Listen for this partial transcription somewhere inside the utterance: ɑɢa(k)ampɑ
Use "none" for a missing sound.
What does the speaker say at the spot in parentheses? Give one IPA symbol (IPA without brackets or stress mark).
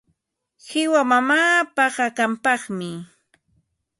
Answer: k